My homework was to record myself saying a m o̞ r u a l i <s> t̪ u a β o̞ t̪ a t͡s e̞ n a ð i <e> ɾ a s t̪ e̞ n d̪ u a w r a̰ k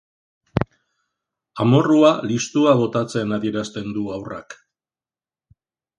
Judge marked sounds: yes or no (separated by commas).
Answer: yes, yes